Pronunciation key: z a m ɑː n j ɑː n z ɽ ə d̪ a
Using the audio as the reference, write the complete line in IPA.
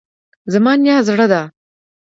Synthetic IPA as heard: z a m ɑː n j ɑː z ɽ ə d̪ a